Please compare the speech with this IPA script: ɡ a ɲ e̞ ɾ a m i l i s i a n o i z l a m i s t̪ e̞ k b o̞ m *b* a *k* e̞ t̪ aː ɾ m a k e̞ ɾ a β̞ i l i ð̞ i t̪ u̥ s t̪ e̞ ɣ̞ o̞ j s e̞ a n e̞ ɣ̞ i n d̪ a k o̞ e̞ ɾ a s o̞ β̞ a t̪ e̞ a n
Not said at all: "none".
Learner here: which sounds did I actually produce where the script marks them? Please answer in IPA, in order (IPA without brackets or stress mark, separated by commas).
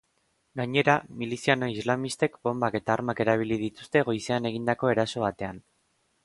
b, k